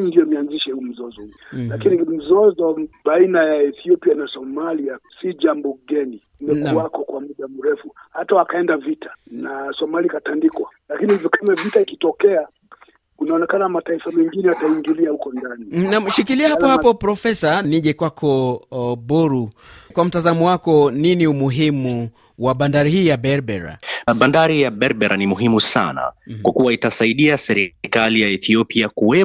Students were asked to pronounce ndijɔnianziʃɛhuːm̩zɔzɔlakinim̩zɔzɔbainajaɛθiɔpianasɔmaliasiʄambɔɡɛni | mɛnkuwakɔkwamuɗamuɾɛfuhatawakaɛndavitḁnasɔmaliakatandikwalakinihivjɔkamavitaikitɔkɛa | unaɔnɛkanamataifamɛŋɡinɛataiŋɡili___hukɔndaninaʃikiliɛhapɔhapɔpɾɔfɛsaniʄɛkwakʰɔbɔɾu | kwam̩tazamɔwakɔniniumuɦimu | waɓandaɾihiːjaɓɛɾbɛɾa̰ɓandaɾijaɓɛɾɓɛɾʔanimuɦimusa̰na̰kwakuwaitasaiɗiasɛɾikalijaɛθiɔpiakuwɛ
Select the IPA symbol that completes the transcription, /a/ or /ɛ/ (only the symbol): a